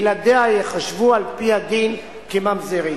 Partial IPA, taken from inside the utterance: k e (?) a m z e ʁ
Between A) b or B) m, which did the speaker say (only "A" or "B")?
B